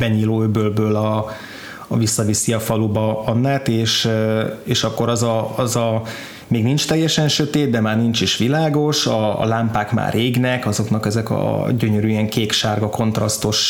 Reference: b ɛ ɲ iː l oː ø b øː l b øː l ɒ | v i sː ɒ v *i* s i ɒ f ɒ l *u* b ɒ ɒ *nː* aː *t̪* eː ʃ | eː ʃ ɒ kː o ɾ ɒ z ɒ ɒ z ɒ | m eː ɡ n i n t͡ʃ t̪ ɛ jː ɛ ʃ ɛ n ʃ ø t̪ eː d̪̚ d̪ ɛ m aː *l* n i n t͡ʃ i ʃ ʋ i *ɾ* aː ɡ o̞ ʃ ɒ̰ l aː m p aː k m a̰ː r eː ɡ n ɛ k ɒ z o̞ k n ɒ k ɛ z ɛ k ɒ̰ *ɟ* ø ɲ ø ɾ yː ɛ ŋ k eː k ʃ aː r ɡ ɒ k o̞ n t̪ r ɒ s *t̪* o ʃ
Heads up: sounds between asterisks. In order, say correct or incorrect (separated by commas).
correct, correct, correct, correct, incorrect, incorrect, correct, correct